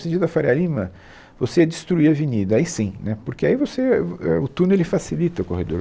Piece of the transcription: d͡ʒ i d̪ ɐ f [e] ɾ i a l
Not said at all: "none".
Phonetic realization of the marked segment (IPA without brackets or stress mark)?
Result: a